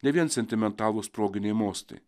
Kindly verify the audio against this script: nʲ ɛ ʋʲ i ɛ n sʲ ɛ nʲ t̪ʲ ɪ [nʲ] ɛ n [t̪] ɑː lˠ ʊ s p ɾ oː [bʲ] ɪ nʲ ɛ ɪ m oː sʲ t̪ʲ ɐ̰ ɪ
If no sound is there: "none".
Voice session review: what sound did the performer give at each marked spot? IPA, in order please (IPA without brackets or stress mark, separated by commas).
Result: mʲ, t̪, ɡʲ